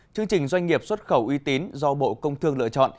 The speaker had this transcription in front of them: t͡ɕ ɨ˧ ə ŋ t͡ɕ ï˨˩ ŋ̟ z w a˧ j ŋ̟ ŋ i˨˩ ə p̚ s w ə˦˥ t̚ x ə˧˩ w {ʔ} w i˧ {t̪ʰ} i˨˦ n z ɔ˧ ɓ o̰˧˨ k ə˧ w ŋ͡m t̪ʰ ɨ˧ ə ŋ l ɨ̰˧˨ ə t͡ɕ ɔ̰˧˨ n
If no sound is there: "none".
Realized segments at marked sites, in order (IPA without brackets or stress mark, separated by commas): ʔ, t̪